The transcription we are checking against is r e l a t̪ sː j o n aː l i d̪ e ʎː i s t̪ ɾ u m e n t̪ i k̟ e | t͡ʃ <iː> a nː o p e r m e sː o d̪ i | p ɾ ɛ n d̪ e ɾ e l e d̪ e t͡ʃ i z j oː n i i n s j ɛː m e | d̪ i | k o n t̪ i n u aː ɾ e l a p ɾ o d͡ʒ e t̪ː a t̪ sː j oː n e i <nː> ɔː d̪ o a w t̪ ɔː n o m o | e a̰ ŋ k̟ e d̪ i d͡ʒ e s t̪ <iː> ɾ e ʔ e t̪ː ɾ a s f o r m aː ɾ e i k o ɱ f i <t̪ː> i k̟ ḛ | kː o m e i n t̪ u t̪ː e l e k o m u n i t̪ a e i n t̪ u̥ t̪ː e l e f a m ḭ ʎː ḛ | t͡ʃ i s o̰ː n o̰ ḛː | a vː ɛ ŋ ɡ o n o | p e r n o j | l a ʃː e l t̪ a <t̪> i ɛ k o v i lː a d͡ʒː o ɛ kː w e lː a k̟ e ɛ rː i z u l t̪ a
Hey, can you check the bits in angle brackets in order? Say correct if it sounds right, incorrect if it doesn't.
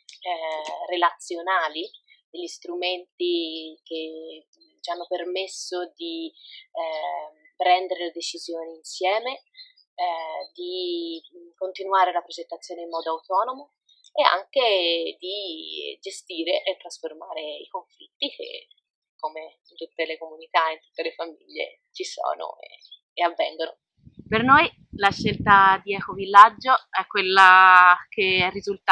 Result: incorrect: i, incorrect: mː, correct, correct, incorrect: d̪

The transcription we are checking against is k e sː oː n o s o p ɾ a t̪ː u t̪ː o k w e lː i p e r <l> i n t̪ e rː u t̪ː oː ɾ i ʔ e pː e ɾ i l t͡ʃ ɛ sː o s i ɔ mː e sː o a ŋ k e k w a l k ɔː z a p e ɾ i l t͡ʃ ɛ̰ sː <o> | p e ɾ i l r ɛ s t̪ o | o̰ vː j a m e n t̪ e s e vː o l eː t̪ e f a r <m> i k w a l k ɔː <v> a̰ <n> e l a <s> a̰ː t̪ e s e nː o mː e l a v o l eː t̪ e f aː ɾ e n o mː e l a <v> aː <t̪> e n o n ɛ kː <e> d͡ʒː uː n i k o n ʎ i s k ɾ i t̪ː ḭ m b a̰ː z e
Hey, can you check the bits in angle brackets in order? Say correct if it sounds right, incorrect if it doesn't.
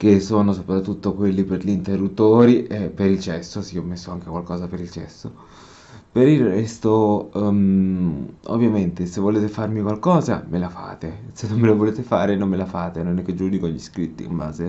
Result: incorrect: ʎ, correct, correct, incorrect: z, incorrect: m, incorrect: f, incorrect: f, correct, correct

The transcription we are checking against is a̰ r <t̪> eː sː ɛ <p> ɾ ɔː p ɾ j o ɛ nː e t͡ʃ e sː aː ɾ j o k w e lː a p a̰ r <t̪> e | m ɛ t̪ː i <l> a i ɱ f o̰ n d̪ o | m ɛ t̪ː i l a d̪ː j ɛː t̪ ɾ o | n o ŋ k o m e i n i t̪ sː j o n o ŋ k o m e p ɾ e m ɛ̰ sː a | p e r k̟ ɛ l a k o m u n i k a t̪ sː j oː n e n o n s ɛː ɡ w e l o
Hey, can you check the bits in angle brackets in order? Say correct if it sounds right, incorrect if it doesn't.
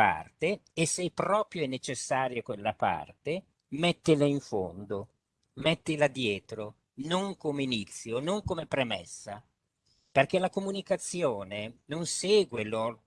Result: correct, correct, correct, correct

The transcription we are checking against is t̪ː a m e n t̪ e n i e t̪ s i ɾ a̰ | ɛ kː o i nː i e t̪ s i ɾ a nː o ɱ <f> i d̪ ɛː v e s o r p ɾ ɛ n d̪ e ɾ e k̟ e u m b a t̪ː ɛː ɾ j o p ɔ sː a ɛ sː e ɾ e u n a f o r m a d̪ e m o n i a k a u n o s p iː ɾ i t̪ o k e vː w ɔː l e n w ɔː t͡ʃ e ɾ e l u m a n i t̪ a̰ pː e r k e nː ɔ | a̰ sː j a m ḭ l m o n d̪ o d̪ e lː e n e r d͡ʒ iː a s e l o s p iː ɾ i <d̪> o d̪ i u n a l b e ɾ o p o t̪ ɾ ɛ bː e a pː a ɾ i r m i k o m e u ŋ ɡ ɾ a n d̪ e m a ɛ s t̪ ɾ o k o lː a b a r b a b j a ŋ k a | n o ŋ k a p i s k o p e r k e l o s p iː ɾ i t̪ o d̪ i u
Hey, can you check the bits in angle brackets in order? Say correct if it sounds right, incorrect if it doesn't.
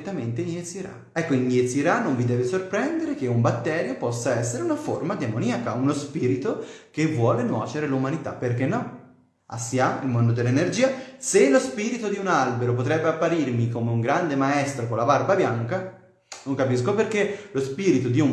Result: incorrect: v, incorrect: t̪

